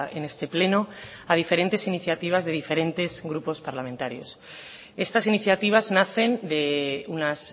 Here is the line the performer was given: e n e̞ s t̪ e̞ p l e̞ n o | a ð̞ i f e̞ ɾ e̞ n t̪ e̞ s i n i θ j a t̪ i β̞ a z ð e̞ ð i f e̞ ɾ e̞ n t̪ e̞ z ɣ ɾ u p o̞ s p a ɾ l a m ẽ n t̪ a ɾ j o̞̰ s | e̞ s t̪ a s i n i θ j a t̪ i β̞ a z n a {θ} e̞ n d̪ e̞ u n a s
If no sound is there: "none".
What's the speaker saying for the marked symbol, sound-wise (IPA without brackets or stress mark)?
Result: θ